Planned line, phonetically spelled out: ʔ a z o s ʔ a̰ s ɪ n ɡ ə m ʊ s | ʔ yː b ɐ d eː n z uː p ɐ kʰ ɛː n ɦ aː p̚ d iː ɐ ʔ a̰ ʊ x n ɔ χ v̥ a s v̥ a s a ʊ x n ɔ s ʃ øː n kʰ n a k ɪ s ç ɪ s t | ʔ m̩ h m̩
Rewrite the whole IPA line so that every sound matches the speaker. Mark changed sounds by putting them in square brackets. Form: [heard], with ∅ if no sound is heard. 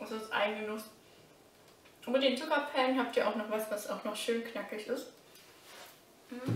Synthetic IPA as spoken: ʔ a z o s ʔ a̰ [∅] ɪ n ɡ ə [n] ʊ s | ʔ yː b ɐ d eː n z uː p ɐ [pʰ] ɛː n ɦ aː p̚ [t] iː ɐ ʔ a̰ ʊ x n ɔ χ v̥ a s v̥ a s a ʊ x n ɔ [χ] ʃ øː n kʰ n a k ɪ [∅] ç ɪ s t | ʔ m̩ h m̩